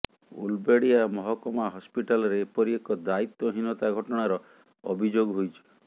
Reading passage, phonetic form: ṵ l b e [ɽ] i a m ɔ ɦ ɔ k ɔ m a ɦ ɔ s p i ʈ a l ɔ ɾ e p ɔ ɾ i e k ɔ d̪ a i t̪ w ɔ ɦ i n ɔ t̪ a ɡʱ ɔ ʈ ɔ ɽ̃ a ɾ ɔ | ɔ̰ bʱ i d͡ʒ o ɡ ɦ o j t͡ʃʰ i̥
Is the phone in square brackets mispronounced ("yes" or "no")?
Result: no